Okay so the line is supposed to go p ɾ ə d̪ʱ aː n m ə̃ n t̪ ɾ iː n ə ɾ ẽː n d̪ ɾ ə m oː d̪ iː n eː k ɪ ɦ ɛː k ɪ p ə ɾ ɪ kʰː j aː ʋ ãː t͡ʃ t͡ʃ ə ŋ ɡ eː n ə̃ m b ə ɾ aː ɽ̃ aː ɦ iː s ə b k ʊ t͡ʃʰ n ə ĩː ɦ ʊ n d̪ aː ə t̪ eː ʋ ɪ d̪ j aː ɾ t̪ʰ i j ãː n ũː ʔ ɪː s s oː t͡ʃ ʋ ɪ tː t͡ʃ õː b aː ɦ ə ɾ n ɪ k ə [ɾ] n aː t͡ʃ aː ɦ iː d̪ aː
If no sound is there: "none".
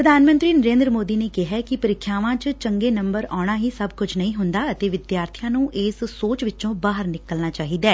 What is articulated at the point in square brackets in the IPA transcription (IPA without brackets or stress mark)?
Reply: l